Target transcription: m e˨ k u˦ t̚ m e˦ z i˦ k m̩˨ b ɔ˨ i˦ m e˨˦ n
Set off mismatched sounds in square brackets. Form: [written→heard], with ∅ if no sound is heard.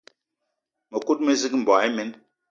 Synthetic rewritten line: m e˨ k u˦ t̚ m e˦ z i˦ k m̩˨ b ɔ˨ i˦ m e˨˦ n